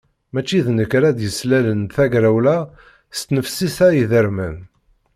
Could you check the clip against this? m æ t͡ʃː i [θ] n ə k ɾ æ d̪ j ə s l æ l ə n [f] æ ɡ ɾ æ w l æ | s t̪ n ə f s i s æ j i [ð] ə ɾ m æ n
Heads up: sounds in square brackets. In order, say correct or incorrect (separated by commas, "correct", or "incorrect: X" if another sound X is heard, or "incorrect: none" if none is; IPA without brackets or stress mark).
incorrect: ð, incorrect: θ, correct